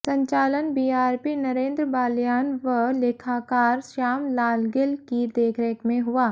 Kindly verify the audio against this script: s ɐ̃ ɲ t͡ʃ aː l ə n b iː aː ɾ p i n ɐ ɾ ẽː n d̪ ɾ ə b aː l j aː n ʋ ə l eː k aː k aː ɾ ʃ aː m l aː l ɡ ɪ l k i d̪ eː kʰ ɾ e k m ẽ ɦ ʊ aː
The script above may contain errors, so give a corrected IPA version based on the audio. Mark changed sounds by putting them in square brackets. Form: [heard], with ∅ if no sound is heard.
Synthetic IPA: s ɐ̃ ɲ t͡ʃ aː l ə n b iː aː ɾ p i n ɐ ɾ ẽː n d̪ ɾ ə b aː l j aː n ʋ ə l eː [kʰ] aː k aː ɾ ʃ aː m l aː l ɡ ɪ l k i d̪ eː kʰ ɾ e k m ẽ ɦ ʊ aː